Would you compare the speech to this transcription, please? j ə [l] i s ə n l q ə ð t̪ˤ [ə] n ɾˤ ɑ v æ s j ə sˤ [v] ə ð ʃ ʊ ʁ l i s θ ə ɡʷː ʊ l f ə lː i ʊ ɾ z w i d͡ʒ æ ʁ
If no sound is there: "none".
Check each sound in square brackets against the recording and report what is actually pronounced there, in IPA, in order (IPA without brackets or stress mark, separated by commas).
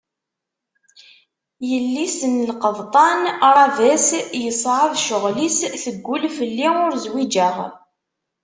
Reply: lː, ɑ, ʕ